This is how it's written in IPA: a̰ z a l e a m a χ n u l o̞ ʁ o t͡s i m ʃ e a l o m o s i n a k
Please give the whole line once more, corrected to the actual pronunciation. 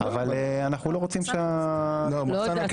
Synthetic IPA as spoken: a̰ v a l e a n a χ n u l o̞ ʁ o t͡s i m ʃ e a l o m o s a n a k